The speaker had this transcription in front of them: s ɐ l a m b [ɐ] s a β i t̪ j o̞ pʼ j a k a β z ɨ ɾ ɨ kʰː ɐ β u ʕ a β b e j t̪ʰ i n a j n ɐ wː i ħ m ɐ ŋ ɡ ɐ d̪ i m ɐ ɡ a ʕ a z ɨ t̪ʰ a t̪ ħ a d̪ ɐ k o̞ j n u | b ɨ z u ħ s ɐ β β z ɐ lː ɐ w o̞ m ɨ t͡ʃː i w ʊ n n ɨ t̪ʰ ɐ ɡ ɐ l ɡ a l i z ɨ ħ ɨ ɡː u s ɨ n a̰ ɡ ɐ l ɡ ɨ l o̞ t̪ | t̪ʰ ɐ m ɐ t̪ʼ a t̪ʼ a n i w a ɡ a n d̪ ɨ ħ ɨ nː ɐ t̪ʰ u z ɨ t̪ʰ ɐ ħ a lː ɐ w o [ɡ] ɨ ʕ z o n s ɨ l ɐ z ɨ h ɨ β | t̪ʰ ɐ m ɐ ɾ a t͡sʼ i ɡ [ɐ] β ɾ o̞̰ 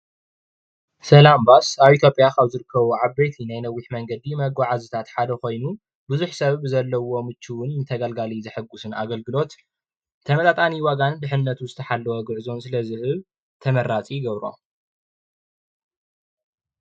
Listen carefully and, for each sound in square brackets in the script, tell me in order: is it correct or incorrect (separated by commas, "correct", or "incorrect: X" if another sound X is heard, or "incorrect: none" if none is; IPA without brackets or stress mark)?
incorrect: a, correct, correct